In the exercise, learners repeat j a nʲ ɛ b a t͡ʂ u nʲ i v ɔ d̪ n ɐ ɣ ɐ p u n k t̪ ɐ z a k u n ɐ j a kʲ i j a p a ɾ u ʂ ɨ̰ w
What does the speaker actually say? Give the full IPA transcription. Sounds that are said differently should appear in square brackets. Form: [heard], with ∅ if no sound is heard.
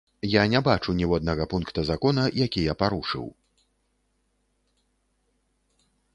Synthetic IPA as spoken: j a nʲ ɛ b a t͡ʂ u nʲ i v ɔ d̪ n ɐ ɣ ɐ p u n k t̪ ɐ z a k [ɔ] n ɐ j a kʲ i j a p a ɾ u ʂ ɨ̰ w